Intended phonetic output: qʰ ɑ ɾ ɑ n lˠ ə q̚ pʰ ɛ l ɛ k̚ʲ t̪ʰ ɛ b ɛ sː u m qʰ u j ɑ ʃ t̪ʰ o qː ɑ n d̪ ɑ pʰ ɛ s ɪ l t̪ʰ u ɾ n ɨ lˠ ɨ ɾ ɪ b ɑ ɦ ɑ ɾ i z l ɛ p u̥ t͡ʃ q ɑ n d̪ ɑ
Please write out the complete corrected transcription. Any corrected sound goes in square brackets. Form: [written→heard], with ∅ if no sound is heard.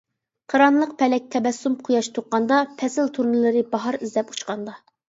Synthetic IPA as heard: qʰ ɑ ɾ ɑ n lˠ ə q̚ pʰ ɛ l ɛ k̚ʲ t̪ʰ ɛ b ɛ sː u m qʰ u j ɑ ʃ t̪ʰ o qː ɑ n d̪ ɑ pʰ ɛ s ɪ l t̪ʰ u ɾ n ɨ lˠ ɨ ɾ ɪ b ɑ ɦ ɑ ɾ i z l ɛ p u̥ t͡ʃ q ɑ n d̪ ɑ